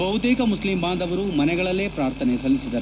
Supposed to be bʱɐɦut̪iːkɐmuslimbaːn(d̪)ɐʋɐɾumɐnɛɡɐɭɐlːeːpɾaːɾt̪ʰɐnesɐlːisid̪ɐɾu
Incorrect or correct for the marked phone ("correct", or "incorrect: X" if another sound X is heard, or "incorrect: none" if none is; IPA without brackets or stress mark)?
correct